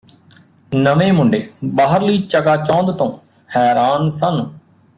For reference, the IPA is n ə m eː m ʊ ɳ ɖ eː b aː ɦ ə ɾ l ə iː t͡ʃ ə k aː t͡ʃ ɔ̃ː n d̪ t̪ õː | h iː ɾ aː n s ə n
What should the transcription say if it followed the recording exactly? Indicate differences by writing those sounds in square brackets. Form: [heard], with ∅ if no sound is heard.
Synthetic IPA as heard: n ə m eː m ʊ ɳ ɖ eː b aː ɦ ə ɾ l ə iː t͡ʃ ə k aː t͡ʃ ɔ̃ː n d̪ t̪ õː | h [ɛː] ɾ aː n s ə n